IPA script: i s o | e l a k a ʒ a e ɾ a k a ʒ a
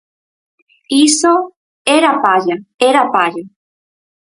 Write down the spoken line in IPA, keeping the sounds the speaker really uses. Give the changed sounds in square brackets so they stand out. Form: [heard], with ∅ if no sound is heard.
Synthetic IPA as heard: i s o | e [ɾ] a [p] a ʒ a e ɾ a [p] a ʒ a